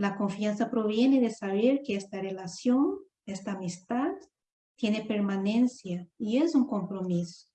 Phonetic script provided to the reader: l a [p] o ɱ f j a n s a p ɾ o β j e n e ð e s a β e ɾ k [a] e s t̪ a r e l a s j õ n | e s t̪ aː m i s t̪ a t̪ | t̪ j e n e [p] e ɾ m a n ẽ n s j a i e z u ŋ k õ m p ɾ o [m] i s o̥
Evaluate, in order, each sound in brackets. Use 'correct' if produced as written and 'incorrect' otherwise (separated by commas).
incorrect, incorrect, correct, correct